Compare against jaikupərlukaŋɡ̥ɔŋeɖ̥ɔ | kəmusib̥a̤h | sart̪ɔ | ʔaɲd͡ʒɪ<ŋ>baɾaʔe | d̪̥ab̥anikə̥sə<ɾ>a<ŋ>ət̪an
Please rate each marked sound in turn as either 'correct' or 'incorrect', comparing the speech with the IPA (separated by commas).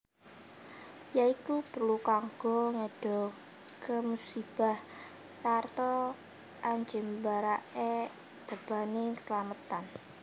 incorrect, incorrect, incorrect